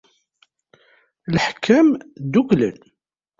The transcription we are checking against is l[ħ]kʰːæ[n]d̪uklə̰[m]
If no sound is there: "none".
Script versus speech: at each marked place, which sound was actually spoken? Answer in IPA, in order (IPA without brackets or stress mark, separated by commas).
ħ, m, n